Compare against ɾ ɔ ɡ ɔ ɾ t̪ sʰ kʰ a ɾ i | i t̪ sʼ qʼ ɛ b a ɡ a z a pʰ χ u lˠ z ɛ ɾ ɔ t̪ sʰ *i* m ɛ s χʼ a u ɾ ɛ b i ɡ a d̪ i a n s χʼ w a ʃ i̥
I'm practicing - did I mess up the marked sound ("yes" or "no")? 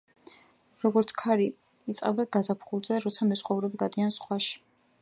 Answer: yes